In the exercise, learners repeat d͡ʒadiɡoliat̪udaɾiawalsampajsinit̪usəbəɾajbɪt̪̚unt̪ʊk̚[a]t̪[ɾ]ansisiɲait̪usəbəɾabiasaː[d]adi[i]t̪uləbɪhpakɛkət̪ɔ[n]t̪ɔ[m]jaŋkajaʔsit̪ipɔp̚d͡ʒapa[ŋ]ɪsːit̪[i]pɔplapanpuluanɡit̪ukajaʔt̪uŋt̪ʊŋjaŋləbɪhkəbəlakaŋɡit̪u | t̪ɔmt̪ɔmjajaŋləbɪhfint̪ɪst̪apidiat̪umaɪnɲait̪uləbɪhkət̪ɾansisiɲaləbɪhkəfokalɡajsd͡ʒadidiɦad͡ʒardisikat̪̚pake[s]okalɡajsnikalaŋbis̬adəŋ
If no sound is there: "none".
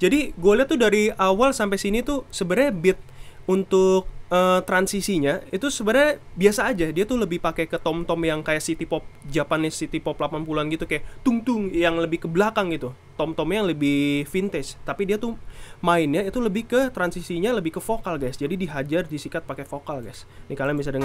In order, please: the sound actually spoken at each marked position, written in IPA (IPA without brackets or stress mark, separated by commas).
ə, ɾ, d͡ʒ, a, m, m, n, i, f